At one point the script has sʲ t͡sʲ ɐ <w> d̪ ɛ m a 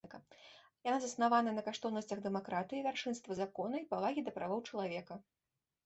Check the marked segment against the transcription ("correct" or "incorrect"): incorrect